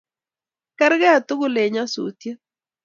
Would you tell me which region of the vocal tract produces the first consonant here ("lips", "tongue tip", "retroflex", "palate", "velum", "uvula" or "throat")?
velum